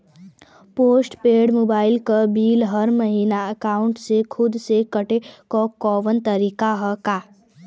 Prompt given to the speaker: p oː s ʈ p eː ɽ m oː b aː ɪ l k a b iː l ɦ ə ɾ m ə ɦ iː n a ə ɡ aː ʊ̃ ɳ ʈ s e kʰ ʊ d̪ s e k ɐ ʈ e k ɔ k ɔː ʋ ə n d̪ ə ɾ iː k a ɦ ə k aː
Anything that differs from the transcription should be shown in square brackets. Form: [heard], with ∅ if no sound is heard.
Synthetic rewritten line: p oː s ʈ p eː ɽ m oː b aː ɪ l k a b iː l ɦ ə ɾ m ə ɦ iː n a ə [k] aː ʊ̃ ɳ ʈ s e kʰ ʊ d̪ s e k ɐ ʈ e k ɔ k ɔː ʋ ə n [t̪] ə ɾ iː k a ɦ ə k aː